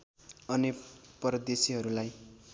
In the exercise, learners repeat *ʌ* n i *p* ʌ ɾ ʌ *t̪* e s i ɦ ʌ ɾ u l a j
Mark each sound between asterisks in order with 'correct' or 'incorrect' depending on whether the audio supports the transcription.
correct, correct, incorrect: d̪

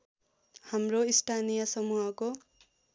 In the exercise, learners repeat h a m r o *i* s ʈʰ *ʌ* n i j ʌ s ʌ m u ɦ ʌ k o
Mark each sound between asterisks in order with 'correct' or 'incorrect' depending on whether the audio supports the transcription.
correct, incorrect: a

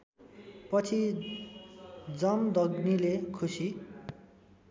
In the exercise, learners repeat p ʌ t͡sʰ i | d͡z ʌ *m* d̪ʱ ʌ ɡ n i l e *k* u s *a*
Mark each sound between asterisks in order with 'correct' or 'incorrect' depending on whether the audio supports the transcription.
correct, incorrect: kʰ, incorrect: i

